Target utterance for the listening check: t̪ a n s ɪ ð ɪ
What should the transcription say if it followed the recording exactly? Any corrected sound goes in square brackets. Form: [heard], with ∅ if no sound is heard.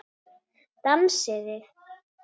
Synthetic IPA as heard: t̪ a [m] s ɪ ð ɪ